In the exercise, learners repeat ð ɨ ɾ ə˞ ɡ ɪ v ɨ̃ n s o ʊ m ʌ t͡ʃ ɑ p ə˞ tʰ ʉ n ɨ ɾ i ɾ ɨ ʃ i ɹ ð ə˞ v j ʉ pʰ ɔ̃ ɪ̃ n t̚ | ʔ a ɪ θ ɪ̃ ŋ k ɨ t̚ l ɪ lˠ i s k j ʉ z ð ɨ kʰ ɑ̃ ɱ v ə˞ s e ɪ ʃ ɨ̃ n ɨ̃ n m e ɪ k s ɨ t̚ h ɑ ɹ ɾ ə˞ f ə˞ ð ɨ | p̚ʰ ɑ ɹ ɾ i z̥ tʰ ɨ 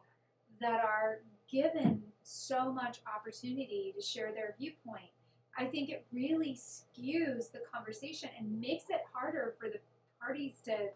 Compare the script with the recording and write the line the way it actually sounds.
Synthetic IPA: ð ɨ ɾ ə˞ ɡ ɪ v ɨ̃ n s o ʊ m ʌ t͡ʃ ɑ p ə˞ tʰ ʉ n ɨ ɾ i ɾ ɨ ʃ ɛ ɹ ð ə˞ v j ʉ pʰ ɔ̃ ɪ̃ n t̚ | ʔ a ɪ θ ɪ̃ ŋ k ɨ t̚ ɹ ɪ lˠ i s k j ʉ z ð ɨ kʰ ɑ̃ ɱ v ə˞ s e ɪ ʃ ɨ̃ n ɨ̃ n m e ɪ k s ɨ t̚ h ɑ ɹ ɾ ə˞ f ə˞ ð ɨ | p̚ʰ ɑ ɹ ɾ i z̥ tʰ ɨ